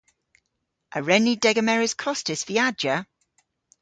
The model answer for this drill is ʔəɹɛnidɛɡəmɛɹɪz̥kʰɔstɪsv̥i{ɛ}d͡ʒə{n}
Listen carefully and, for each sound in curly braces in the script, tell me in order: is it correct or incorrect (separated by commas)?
incorrect, incorrect